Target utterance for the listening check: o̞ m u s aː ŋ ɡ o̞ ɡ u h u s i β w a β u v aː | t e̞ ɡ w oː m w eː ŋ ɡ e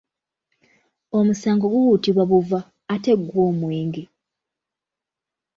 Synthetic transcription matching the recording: o̞ m u s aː ŋ ɡ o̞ ɡ u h u t i β w a β u v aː | t e̞ ɡ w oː m w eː ŋ ɡ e